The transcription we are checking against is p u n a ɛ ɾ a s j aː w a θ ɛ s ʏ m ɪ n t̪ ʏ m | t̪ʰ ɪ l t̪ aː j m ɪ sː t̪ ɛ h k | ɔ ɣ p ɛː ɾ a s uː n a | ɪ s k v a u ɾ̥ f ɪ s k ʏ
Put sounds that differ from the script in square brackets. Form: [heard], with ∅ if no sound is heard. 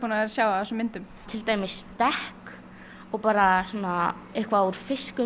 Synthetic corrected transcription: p u n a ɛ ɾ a s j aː w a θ ɛ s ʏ m ɪ n t̪ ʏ m | t̪ʰ ɪ l t̪ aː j m ɪ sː t̪ ɛ h k | ɔ ɣ p [aː] ɾ a s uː n a | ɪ [h] k v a u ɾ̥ f ɪ s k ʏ